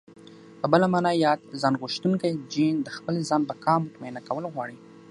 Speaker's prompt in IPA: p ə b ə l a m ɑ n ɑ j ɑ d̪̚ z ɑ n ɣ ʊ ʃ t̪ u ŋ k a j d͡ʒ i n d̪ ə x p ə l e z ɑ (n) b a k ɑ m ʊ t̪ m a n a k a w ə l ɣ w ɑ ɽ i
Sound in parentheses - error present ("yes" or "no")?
no